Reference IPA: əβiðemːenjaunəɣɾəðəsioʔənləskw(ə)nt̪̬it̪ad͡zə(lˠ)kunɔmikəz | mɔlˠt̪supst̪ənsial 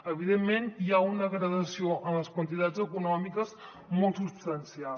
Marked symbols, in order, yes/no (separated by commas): yes, no